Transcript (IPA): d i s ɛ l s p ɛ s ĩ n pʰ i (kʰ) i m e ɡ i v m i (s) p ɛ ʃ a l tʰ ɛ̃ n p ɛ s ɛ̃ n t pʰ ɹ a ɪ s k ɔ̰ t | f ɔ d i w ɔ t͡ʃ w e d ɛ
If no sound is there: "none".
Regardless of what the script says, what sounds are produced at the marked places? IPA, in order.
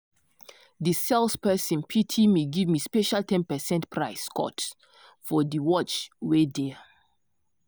tʰ, s

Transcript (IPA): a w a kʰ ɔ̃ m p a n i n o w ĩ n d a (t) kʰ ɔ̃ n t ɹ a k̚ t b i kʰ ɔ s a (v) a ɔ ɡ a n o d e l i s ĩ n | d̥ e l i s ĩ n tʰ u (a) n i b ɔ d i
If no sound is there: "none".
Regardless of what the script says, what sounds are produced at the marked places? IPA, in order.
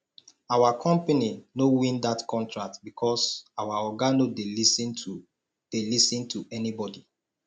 t, w, ɛ

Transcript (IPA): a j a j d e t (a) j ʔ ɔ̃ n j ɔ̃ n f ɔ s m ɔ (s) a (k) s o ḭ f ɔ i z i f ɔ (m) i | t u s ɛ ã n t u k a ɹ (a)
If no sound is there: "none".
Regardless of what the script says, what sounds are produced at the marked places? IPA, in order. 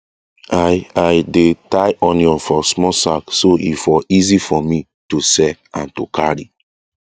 a, s, k, m, i

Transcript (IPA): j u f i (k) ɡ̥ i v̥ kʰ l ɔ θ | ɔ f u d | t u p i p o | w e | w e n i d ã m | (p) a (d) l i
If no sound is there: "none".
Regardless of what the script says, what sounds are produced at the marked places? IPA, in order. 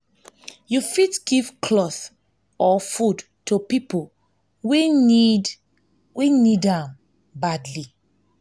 t, b, d

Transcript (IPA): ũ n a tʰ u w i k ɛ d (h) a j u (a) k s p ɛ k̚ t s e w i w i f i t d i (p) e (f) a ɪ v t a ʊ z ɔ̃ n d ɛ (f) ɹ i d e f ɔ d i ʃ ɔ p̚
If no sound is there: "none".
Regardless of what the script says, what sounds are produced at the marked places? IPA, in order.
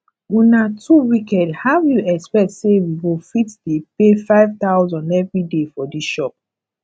h, ɛ, p, f, v

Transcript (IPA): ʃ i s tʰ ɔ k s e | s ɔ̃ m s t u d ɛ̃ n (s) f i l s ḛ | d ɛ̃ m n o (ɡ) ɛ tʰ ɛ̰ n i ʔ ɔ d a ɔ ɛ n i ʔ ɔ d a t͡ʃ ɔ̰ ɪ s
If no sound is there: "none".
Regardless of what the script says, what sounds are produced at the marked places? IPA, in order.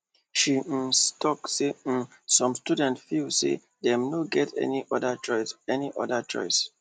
t, ɡ

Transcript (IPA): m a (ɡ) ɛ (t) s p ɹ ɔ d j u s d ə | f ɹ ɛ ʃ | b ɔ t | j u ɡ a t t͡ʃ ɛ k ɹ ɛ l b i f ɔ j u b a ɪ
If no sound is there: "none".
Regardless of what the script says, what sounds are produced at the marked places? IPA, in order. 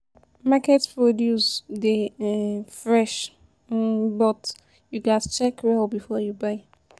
k, t

